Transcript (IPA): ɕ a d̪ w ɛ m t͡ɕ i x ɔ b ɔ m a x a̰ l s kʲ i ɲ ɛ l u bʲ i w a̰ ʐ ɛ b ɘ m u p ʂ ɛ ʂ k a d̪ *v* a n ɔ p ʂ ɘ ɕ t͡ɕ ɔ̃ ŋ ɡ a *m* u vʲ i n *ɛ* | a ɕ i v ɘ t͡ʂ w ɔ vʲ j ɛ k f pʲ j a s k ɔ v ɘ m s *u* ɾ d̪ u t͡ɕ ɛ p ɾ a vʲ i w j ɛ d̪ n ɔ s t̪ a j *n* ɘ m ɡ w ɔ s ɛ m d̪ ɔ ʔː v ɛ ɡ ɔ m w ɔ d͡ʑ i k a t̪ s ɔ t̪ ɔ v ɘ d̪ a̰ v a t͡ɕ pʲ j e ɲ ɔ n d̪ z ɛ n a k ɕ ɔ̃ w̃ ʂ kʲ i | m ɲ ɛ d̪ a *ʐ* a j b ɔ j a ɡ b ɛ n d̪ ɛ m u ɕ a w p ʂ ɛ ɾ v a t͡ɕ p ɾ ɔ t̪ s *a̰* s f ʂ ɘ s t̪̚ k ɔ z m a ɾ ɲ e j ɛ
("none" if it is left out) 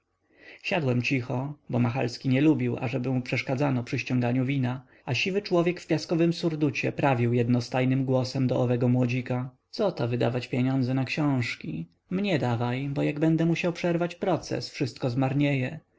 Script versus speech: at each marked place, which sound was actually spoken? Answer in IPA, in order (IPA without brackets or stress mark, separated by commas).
z, ɲ, a, u, n, v, ɛ̰